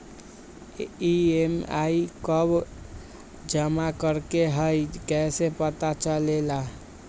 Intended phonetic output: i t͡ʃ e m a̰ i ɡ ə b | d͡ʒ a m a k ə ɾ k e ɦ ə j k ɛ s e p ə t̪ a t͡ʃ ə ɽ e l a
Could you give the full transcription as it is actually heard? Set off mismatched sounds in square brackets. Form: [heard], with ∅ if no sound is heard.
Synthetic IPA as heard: i [∅] e m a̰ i [k] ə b | d͡ʒ [ə] m a k ə ɾ k e ɦ ə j k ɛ s e p ə t̪ a t͡ʃ ə [l] e l a